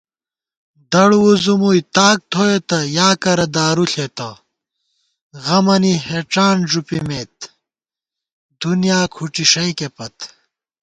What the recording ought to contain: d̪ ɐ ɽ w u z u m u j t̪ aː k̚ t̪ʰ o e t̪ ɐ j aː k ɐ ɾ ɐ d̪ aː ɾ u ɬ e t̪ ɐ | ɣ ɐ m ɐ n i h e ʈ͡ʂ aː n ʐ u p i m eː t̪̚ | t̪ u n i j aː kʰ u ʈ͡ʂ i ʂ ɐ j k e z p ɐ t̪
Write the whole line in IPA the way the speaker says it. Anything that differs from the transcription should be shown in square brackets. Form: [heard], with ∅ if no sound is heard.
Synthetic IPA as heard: d̪ ɐ ɽ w u z u m u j t̪ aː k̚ t̪ʰ o e t̪ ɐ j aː k ɐ ɾ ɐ d̪ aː ɾ u ɬ e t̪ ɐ | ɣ ɐ m ɐ n i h e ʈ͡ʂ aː n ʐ u p i m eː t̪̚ | [d̪] u n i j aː kʰ u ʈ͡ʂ i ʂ ɐ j k e [∅] p ɐ t̪